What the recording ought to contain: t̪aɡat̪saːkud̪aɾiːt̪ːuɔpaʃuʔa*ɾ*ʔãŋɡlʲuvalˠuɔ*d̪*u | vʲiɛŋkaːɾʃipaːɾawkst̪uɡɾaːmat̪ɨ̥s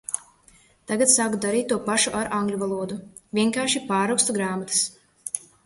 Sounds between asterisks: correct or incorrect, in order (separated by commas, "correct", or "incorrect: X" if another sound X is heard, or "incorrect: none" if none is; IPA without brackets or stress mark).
correct, correct